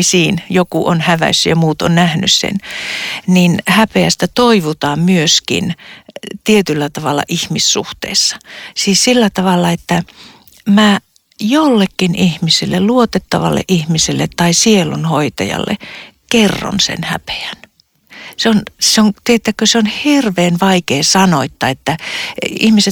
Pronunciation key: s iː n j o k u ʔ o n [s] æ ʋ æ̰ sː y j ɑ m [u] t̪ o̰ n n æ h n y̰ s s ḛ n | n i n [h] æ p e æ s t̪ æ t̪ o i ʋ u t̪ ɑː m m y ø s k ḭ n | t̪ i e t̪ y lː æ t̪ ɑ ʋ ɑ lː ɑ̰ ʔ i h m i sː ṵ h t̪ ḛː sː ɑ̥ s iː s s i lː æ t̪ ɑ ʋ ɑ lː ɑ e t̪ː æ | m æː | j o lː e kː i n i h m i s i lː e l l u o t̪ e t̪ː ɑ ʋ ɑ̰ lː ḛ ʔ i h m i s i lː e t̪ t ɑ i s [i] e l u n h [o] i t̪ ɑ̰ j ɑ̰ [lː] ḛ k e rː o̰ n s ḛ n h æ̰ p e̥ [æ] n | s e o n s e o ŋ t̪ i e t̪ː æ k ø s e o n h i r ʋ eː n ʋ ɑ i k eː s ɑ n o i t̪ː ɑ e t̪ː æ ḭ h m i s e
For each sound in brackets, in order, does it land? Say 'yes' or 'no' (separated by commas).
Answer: no, no, yes, yes, yes, yes, yes